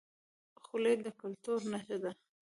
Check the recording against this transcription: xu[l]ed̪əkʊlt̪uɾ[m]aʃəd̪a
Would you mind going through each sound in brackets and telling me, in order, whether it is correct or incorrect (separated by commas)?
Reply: correct, incorrect